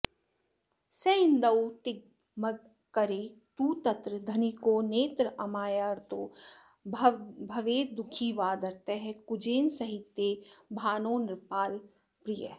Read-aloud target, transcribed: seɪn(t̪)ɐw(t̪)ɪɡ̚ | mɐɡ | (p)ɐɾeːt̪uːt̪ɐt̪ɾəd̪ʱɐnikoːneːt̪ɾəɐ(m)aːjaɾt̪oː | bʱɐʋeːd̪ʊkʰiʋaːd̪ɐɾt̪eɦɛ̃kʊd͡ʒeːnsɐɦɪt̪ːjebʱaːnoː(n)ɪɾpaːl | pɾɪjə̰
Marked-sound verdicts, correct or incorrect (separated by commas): incorrect, correct, incorrect, correct, correct